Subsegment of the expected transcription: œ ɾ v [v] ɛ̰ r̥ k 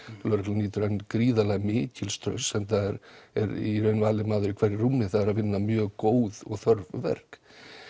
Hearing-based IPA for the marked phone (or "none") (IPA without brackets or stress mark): v